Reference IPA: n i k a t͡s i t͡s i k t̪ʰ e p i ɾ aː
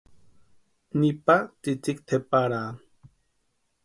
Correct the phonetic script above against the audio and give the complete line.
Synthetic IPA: n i p a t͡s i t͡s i k t̪ʰ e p a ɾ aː